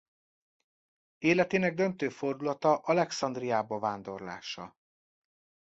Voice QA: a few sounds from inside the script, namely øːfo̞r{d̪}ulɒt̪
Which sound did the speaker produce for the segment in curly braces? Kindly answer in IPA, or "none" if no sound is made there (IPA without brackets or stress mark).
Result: d̪